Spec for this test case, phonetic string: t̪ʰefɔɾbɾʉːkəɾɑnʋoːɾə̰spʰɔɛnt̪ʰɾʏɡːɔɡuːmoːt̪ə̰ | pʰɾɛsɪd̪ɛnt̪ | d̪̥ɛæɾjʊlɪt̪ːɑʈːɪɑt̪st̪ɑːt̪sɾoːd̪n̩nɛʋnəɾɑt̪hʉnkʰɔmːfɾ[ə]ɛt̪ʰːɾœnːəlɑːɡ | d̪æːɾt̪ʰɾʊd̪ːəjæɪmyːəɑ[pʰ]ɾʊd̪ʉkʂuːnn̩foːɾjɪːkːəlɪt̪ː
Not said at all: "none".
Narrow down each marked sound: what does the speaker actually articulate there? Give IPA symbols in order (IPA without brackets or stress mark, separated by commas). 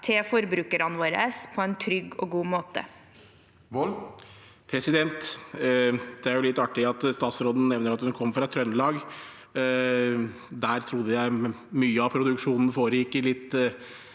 ɑ, pʰ